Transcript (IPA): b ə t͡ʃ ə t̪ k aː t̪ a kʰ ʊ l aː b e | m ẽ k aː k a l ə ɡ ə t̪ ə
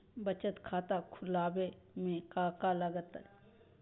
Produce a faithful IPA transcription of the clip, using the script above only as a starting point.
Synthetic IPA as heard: b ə t͡ʃ ə t̪ kʰ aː t̪ a kʰ ʊ l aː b e | m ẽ k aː k a l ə ɡ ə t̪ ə

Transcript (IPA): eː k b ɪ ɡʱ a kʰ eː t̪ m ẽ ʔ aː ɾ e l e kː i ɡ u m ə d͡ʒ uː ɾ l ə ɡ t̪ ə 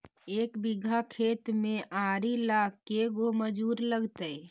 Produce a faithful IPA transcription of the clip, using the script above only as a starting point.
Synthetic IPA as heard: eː k b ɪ ɡʱ a kʰ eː t̪ m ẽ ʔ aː ɾ i l a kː e ɡ o m ə d͡ʒ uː ɾ l ə ɡ t̪ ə

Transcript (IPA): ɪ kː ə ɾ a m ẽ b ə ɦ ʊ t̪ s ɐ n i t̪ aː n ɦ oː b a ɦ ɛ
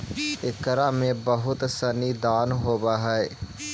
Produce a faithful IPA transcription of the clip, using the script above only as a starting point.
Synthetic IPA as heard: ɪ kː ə ɾ a m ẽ b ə ɦ ʊ t̪ s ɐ n i d̪ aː n ɦ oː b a ɦ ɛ

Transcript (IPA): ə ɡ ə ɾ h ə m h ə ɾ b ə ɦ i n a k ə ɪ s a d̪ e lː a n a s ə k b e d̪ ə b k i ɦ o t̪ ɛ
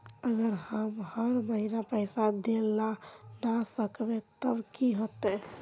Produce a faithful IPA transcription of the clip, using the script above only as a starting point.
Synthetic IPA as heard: ə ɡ ə ɾ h ə m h ə ɾ m ə ɦ i n a p ə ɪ s a d̪ e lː a n a s ə k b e t̪ ə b k i ɦ o t̪ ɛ

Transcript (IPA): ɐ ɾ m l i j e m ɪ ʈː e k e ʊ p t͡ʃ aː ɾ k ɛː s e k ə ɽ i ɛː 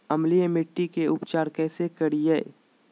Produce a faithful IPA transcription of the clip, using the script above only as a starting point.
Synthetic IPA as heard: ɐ m l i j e m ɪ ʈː i k e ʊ p t͡ʃ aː ɾ k ɛː s e k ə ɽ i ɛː

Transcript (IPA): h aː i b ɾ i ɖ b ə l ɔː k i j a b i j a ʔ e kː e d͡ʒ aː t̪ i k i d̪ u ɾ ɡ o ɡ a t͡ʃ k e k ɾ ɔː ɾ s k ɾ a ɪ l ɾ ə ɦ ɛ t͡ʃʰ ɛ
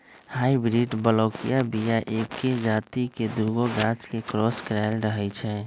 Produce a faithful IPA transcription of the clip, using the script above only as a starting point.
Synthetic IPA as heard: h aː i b ɾ i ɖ b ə l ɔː k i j a b i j a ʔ e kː e d͡ʒ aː t̪ i k e d̪ u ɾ ɡ o ɡ a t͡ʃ k e k ɾ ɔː s k ɾ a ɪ l ɾ ə ɦ ɛ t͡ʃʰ ɛ

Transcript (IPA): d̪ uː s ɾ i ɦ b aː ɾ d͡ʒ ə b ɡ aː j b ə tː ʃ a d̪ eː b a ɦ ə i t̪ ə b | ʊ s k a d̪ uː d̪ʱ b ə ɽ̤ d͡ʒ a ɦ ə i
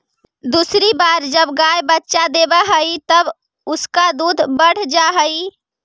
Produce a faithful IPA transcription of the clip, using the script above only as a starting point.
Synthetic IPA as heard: d̪ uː s ɾ i b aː ɾ d͡ʒ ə b ɡ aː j b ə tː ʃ a d̪ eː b a ɦ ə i t̪ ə b | ʊ s k a d̪ uː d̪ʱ b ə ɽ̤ d͡ʒ a ɦ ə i

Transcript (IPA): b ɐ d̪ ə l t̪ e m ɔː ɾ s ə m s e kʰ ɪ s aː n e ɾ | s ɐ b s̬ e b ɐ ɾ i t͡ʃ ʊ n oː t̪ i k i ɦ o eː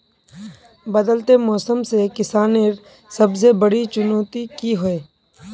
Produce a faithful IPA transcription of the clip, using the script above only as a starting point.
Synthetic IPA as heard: b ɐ d̪ ə l t̪ e m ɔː s ə m s e k ɪ s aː n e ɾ | s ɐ b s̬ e b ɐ ɽ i t͡ʃ ʊ n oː t̪ i k i ɦ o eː

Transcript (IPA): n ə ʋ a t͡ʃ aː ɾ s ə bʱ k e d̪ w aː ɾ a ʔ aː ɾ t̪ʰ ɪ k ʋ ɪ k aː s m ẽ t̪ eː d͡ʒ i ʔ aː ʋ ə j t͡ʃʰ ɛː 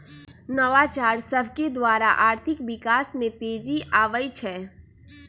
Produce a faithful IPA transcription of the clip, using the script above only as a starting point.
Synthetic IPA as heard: n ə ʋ a t͡ʃ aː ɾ s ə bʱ k e d̪ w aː ɾ a ʔ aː ɾ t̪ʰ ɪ k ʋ ɪ k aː s m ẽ t̪ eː d͡ʒ i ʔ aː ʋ ə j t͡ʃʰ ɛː

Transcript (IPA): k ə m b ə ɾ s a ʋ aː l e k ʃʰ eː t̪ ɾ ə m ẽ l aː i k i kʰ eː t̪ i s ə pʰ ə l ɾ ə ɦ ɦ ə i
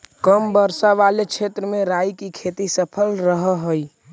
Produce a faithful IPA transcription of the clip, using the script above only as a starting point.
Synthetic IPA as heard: k ə m b ə ɾ s a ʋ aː l e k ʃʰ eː t̪ ɾ ə m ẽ ɾ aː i k i kʰ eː t̪ i s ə pʰ ə l ɾ ə ɦ ɦ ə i

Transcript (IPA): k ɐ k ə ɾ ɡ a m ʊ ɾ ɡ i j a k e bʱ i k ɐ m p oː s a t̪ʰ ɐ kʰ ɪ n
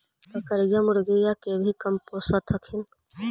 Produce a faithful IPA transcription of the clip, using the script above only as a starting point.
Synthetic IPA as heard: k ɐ k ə ɾ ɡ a m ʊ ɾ ɡ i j a k e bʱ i k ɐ m p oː s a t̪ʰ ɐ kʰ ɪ n

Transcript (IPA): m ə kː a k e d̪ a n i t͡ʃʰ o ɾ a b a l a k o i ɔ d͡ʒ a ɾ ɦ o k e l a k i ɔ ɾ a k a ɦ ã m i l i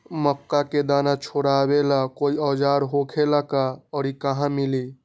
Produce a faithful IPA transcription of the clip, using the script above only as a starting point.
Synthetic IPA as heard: m ə kː a k e d̪ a n a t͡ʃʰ o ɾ a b e l a k o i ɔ d͡ʒ a ɾ ɦ o kʰ e l a k a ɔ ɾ i k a ɦ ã m i l i

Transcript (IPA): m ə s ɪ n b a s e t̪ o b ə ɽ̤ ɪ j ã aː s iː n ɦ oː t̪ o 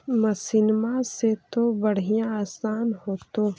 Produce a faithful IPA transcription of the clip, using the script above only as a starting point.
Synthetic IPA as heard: m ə s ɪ n m a s e t̪ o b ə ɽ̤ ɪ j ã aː s aː n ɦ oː t̪ o

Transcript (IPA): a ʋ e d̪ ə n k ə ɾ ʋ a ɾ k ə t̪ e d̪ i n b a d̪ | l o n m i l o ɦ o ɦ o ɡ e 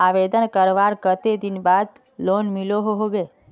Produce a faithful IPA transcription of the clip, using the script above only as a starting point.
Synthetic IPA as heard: a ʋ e d̪ ə n k ə ɾ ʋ a ɾ k ə t̪ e d̪ i n b a d̪ | l o n m i l o ɦ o ɦ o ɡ e

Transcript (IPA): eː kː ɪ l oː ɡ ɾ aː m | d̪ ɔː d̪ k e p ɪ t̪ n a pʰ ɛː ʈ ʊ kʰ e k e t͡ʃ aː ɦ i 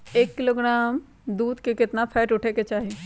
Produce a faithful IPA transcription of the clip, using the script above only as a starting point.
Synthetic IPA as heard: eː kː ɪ l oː ɡ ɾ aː m | d̪ uː d̪ k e k ɪ t̪ n a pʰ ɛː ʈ ʊ ʈʰ e k e t͡ʃ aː ɦ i

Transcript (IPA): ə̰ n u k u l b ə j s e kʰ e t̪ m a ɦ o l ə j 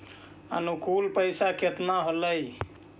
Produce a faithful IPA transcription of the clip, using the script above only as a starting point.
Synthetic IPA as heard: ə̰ n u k u l p ə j s a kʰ e t̪ n a ɦ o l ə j

